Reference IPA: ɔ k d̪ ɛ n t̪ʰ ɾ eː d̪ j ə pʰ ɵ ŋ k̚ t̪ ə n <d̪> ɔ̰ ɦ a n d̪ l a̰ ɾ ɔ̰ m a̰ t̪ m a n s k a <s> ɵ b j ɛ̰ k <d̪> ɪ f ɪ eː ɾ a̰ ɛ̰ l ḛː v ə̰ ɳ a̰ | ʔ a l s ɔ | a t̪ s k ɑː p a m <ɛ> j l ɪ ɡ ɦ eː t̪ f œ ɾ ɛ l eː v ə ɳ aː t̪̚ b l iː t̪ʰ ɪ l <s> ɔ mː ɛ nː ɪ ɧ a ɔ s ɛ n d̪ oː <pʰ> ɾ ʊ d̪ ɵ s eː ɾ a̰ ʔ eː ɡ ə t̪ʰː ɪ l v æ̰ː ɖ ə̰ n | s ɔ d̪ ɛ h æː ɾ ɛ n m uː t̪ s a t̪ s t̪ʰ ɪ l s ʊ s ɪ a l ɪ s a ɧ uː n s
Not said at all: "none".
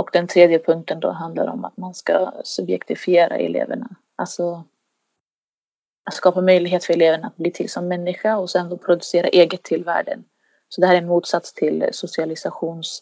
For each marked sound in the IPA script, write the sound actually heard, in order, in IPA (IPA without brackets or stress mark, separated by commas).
d̪, s, t̪, œ, s, pʰ